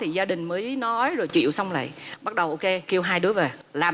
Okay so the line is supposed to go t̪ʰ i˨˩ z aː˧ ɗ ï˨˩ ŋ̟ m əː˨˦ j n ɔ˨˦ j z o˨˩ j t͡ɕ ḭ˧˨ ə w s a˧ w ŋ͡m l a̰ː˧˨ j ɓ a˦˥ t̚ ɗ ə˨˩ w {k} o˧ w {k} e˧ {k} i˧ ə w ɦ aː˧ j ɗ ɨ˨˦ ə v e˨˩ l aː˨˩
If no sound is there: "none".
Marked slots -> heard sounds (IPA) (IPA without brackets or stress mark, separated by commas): ʔ, k, k